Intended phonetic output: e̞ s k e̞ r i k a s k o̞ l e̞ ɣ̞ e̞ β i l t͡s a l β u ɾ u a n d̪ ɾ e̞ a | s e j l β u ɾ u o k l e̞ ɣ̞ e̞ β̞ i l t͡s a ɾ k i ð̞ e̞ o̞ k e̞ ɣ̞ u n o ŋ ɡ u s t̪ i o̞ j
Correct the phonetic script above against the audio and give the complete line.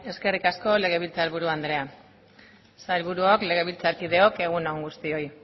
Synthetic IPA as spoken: e̞ s k e̞ r i k a s k o̞ l e̞ ɣ̞ e̞ β i l t͡s a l β u ɾ u a n d̪ ɾ e̞ a | s a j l β u ɾ u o k l e̞ ɣ̞ e̞ β̞ i l t͡s a ɾ k i ð̞ e̞ o̞ k e̞ ɣ̞ u n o ŋ ɡ u s t̪ i o̞ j